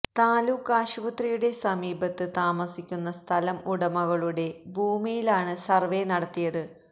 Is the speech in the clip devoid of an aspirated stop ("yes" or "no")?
no